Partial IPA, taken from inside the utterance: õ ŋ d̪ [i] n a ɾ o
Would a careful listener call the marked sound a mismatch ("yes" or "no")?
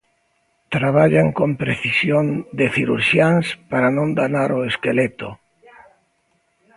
yes